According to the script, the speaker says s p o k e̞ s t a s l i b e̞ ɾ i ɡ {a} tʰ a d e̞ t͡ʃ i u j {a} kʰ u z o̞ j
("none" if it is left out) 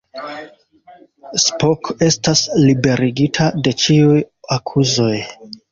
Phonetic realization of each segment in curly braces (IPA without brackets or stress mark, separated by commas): i, a